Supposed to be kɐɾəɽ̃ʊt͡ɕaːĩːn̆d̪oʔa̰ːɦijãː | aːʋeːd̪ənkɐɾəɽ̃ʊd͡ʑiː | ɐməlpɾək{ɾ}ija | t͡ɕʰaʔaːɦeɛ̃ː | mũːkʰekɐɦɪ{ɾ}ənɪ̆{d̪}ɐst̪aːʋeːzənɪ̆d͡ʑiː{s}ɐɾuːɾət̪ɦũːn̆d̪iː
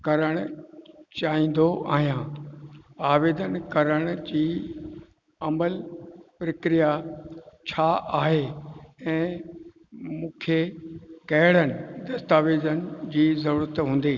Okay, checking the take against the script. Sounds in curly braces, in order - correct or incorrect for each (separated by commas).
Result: correct, incorrect, correct, incorrect